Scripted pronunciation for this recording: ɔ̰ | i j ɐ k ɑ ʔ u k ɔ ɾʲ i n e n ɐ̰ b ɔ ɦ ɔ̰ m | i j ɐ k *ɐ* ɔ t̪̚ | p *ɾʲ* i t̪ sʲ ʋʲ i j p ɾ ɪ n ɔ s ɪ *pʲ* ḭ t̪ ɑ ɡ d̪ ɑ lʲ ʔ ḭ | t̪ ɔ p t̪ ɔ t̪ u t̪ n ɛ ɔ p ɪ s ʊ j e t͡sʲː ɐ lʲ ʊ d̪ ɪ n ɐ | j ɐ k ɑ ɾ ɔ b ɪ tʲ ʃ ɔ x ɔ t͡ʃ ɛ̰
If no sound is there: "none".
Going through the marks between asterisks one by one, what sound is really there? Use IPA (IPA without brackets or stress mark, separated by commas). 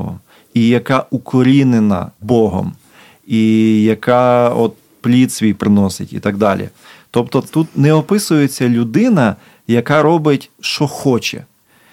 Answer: ɑ, lʲ, tʲ